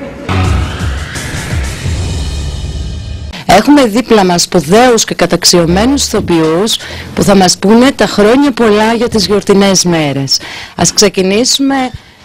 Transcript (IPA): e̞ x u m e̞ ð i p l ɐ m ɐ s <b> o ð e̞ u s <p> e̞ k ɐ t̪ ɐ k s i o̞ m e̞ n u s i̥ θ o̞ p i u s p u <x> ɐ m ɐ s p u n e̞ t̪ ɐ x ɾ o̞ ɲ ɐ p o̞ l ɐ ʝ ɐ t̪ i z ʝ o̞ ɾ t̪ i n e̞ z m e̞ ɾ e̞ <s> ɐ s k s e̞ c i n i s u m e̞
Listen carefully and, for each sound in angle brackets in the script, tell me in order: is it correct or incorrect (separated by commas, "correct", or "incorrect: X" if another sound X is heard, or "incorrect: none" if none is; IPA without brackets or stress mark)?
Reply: incorrect: p, incorrect: c, incorrect: θ, correct